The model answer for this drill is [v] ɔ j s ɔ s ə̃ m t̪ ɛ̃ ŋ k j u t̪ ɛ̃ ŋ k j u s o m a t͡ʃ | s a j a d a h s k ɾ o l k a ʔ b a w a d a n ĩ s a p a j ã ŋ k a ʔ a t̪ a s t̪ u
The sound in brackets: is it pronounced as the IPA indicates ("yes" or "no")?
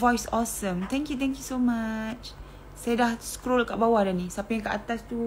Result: yes